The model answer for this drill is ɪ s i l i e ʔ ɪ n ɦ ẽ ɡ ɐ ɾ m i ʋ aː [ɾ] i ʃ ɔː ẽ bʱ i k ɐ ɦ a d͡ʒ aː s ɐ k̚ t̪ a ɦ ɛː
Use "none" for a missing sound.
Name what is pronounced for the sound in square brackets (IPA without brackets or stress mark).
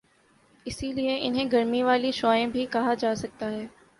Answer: l